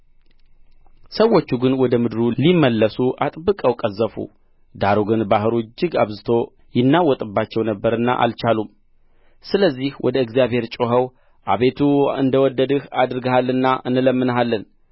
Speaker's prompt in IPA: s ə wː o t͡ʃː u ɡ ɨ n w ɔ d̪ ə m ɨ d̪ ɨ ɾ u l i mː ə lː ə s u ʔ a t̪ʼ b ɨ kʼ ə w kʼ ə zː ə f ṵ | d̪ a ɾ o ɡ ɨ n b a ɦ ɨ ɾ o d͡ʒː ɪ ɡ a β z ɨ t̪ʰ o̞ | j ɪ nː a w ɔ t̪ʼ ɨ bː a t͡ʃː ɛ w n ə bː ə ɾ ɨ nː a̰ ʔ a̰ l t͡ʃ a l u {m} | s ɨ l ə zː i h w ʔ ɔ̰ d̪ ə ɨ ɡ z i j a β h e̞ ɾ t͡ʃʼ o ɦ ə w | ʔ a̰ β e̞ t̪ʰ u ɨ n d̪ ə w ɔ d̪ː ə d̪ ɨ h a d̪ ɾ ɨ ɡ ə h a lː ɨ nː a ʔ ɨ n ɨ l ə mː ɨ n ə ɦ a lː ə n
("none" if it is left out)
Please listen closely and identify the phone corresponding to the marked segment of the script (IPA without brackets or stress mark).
m